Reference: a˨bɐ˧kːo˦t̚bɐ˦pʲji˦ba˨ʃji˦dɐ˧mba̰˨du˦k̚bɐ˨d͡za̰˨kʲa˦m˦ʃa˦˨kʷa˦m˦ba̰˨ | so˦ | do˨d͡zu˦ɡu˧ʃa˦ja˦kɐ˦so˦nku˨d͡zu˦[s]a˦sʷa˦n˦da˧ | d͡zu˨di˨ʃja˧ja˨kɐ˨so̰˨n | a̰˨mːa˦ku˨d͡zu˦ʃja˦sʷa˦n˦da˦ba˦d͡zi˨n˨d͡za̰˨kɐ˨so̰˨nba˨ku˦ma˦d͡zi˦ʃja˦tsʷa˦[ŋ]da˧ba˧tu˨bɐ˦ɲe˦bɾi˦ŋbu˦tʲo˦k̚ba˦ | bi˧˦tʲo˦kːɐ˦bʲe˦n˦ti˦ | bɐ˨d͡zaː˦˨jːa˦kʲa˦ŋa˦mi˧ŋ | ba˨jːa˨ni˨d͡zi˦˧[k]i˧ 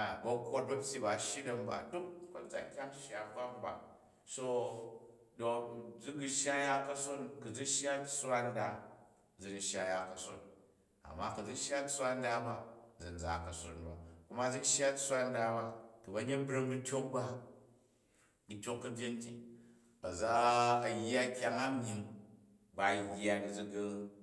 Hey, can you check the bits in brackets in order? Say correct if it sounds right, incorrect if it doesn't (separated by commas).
incorrect, incorrect, incorrect